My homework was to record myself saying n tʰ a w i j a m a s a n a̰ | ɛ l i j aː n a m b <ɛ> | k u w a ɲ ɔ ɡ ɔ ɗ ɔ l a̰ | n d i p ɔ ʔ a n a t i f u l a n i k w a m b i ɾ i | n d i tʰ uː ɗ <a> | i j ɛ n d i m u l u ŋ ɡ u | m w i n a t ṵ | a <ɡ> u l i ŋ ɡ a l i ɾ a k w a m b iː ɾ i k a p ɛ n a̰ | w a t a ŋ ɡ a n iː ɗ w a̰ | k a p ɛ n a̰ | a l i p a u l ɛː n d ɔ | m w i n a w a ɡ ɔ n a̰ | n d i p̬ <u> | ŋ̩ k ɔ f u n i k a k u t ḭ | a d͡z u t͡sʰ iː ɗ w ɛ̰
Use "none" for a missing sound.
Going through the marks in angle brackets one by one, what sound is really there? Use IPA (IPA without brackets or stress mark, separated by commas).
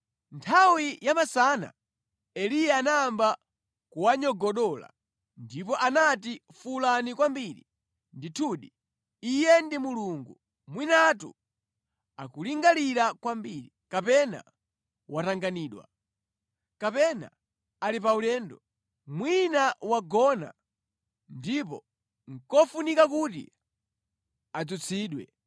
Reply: a, i, k, ɔ